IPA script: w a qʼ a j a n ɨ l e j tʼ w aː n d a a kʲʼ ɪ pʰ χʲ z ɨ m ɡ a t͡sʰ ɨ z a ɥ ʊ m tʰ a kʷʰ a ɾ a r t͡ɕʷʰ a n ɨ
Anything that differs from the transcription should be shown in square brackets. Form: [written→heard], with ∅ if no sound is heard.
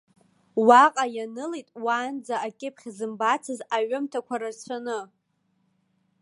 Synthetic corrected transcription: w a qʼ a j a n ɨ l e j tʼ w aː n [d→d͡z] a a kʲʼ ɪ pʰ χʲ z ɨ m [ɡ→b] a t͡sʰ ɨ z a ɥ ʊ m tʰ a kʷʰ a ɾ a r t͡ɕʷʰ a n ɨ